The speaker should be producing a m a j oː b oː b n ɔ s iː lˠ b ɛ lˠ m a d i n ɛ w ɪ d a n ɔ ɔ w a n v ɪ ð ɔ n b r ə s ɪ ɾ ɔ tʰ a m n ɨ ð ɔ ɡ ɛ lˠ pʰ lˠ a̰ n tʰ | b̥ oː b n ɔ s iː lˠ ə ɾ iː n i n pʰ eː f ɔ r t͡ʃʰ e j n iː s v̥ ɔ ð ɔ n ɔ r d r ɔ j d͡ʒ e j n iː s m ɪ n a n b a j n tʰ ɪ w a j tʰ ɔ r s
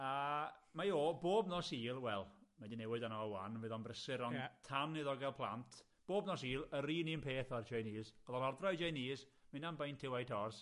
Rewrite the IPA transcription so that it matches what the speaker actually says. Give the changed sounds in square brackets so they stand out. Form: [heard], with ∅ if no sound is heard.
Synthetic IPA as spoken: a m a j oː b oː b n ɔ s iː lˠ [w] ɛ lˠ m a d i n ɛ w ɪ d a n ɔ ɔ w a n v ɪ ð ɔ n b r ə s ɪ ɾ ɔ tʰ a m n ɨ ð ɔ ɡ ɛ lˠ pʰ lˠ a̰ n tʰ | b̥ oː b n ɔ s iː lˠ ə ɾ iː n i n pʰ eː [θ] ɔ r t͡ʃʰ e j n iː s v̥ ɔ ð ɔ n ɔ r d r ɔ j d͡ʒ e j n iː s m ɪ n a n b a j n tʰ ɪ w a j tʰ ɔ r s